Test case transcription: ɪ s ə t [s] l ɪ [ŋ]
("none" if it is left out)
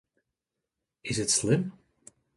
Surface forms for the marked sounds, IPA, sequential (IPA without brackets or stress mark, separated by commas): s, m